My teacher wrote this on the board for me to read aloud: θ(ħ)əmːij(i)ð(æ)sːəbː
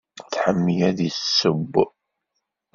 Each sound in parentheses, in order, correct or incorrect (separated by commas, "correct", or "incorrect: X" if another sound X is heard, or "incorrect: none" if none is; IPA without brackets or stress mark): correct, incorrect: æ, incorrect: i